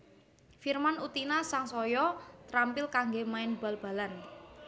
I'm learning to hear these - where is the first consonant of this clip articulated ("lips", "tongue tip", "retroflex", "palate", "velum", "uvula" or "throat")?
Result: lips